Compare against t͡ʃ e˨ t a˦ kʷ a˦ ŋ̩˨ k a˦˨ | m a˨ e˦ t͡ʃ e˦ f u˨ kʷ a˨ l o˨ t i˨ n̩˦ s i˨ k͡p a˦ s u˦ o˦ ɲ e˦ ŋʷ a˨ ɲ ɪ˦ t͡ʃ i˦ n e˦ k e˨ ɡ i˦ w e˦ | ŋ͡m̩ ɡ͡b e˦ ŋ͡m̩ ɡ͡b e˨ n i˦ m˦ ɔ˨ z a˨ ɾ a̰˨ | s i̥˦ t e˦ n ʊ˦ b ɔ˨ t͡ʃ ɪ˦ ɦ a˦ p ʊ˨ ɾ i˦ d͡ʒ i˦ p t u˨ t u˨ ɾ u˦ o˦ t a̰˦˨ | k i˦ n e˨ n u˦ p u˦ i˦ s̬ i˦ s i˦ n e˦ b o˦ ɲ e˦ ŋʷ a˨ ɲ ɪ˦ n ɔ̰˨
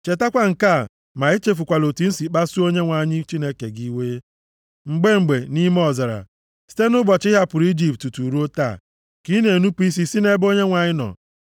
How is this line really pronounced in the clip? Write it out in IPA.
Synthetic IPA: t͡ʃ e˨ t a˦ kʷ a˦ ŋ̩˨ k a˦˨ | m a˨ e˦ t͡ʃ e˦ f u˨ kʷ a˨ l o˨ t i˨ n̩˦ s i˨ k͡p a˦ s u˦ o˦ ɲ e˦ ŋʷ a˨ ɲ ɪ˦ t͡ʃ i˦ n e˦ k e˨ ɡ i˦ w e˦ | ŋ͡m̩ ɡ͡b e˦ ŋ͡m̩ ɡ͡b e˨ n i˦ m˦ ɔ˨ z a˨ ɾ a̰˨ | s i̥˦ t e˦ n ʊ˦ b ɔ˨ t͡ʃ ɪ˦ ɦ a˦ p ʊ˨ ɾ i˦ d͡ʒ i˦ p t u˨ t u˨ ɾ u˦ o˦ t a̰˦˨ | k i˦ n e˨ n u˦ p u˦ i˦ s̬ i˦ s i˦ n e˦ b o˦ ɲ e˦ ŋʷ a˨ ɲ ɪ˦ n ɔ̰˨